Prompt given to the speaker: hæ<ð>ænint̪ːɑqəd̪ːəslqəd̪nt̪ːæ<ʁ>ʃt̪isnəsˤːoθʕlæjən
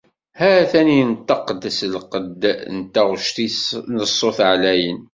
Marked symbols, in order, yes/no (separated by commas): no, yes